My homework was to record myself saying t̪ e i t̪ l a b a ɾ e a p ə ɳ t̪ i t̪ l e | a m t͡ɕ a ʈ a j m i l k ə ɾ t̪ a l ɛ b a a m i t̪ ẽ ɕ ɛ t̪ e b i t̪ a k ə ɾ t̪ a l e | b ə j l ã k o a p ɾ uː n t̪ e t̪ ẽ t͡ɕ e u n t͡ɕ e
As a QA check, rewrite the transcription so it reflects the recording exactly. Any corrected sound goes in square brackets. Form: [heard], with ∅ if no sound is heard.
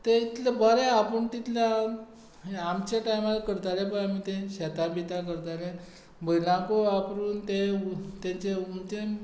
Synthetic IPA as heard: t̪ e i t̪ l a b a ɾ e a p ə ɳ t̪ i t̪ l [a] | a m t͡ɕ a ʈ a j m [a] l k ə ɾ t̪ a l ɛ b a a m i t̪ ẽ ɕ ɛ t̪ [a] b i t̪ a k ə ɾ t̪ a l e | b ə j l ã k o a p ɾ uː n t̪ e t̪ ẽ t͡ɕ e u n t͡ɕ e